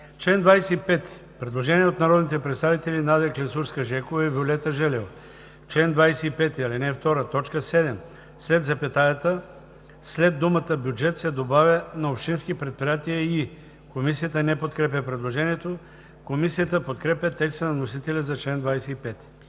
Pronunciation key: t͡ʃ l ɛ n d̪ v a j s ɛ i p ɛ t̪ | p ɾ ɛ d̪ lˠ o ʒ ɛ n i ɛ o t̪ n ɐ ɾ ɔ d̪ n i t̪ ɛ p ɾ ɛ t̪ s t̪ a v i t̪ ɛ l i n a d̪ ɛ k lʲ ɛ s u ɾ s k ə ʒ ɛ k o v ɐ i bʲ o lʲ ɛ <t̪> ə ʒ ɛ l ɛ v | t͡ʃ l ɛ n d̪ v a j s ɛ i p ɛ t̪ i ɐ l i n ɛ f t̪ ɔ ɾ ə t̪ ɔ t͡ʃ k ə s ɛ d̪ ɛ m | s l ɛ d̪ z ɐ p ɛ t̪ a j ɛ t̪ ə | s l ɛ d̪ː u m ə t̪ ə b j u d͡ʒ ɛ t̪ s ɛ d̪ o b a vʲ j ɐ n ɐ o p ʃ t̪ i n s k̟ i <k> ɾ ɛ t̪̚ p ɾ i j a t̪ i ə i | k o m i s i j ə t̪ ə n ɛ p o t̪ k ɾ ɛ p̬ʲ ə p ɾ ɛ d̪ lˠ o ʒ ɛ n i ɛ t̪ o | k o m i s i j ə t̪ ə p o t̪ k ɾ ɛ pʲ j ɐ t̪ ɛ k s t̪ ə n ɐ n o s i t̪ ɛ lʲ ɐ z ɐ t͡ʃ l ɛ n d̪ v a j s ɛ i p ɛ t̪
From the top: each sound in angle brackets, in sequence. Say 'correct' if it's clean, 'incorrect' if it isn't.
correct, incorrect: p

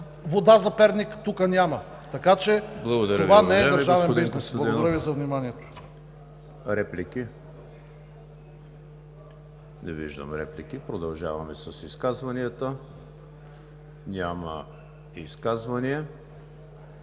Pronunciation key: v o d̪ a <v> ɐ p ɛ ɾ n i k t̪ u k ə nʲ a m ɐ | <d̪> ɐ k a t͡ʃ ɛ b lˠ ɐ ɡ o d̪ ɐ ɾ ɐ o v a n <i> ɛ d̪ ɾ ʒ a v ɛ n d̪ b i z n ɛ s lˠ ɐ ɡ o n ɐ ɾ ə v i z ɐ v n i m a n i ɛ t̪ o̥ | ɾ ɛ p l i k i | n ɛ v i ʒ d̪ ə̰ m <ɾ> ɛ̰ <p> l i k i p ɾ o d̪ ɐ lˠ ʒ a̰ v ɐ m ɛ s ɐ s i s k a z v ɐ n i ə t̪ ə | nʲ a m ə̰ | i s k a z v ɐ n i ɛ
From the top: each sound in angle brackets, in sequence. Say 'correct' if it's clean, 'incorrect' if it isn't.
incorrect: z, incorrect: t̪, incorrect: ɛ, correct, correct

